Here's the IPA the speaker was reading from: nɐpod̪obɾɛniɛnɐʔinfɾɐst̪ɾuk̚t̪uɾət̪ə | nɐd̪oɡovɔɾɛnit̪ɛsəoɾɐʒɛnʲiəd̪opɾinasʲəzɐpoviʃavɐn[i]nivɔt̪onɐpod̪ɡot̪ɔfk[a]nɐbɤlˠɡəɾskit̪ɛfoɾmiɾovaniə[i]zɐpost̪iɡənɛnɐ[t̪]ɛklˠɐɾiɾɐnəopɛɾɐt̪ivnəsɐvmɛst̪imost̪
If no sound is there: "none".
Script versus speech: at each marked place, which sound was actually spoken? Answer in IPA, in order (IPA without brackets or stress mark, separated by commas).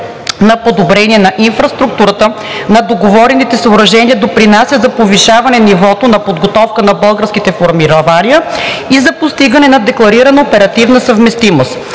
ɛ, ə, i, d̪